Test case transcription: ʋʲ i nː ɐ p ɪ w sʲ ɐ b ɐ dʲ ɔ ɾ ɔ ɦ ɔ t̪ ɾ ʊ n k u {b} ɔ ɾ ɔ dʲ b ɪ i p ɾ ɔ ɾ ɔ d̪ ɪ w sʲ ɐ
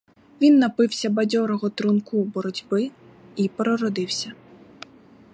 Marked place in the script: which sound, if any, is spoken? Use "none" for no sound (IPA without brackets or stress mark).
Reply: b